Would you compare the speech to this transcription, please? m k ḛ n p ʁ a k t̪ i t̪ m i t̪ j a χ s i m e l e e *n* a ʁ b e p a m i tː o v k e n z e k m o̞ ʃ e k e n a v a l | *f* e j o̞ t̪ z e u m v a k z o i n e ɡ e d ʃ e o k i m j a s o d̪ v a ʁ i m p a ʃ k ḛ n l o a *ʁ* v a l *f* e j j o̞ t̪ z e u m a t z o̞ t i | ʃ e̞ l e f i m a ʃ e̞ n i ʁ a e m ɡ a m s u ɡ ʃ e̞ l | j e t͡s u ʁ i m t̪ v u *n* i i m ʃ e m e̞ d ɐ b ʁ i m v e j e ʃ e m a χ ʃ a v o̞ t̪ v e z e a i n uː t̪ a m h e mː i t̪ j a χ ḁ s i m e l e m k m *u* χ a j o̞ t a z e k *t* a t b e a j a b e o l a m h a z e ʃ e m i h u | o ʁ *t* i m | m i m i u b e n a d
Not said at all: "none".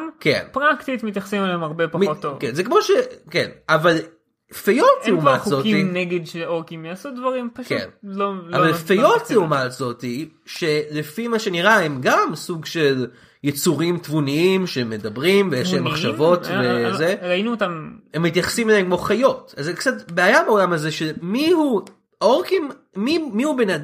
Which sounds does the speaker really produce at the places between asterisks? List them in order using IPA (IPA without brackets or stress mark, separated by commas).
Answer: m, f, v, f, n, o, t͡s, k